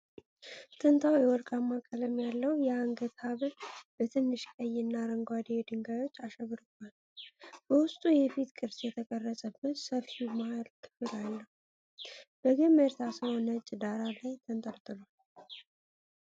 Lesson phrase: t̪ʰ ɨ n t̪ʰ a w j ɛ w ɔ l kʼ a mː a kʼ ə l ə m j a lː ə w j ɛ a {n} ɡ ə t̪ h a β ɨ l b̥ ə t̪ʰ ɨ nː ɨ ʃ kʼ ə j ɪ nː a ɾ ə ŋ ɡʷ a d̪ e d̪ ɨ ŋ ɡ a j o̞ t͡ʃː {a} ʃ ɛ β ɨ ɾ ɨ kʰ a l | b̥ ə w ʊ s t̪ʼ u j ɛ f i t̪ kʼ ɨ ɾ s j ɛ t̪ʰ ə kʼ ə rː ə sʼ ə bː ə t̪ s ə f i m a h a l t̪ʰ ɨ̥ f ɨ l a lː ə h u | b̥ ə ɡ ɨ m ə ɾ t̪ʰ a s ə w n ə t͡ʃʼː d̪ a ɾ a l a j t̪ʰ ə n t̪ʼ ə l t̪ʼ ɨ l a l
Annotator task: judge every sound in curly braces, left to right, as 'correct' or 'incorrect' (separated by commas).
incorrect, correct